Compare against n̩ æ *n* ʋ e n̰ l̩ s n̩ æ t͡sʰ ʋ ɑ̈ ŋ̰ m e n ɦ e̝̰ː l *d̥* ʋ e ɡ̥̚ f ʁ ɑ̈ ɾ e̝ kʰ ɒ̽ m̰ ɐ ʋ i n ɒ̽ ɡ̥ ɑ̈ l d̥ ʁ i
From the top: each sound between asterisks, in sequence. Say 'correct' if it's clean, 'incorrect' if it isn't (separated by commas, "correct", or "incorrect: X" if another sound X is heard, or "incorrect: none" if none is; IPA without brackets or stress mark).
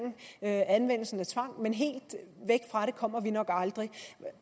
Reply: correct, correct